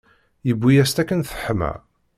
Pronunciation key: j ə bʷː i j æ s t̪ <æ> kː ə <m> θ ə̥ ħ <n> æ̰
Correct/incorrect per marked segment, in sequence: correct, incorrect, incorrect

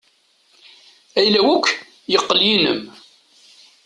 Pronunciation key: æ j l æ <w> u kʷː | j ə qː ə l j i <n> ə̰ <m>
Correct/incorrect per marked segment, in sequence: correct, correct, correct

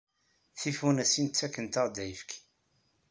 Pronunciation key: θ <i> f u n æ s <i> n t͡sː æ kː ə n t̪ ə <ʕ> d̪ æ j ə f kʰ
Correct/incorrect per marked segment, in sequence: correct, correct, incorrect

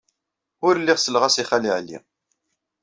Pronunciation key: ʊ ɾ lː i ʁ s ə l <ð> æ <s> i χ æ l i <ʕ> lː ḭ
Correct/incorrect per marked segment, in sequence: incorrect, correct, correct

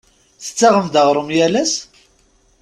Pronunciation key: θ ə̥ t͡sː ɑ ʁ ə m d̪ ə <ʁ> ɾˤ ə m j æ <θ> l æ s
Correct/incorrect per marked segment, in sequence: correct, incorrect

